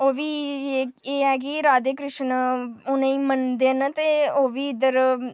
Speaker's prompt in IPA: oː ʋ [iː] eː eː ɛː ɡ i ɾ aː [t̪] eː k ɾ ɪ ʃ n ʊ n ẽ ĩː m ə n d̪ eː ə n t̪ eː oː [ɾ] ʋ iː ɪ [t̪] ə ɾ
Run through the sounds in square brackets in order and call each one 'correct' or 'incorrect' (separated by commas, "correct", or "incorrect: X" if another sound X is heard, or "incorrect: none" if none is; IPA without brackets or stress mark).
correct, incorrect: d̪, incorrect: none, incorrect: d̪